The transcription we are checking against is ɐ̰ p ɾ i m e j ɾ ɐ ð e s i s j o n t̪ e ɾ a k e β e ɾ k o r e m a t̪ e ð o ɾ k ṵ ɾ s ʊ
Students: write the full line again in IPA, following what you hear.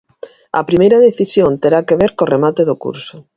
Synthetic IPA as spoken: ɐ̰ p ɾ i m e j ɾ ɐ ð e θ i s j o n t̪ e ɾ a k e β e ɾ k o r e m a t̪ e ð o k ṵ ɾ s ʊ